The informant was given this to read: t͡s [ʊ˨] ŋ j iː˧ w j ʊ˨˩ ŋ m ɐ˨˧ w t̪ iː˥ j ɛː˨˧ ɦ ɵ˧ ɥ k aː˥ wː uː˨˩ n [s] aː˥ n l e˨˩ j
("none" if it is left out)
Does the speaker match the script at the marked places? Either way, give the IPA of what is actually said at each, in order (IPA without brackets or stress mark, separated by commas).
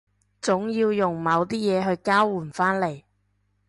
ʊ˨˥, f